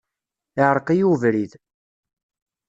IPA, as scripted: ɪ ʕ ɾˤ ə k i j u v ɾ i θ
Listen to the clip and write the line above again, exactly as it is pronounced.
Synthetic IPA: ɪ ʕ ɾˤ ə q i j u v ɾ i ð